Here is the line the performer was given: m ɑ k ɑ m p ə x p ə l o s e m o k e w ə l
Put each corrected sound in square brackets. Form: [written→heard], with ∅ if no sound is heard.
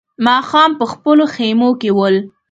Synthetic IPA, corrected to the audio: m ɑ [k→x] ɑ m p ə x p ə l o [s→x] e m o k e w ə l